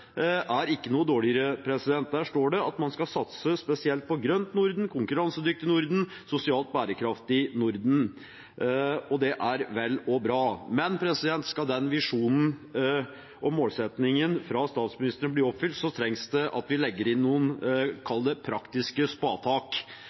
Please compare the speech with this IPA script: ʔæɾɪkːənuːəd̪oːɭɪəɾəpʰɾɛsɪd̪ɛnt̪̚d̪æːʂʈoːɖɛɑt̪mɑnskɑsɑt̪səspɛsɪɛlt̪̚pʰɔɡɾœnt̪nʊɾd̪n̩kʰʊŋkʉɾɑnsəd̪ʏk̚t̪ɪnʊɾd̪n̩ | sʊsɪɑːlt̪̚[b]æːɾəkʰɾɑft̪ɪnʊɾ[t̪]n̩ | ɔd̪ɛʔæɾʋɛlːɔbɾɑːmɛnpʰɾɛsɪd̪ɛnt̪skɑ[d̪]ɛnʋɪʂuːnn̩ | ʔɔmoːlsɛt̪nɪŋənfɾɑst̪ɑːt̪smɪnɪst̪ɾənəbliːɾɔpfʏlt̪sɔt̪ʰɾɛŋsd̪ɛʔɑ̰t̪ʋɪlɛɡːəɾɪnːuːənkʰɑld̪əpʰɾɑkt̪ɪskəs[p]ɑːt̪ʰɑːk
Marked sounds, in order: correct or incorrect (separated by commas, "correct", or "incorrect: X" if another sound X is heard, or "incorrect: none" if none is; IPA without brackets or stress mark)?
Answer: correct, incorrect: d̪, correct, correct